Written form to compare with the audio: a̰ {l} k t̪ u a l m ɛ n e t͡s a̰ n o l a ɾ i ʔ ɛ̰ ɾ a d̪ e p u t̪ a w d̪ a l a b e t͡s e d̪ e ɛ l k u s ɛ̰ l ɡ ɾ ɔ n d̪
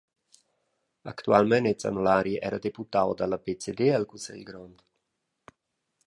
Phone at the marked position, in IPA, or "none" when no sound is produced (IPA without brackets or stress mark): none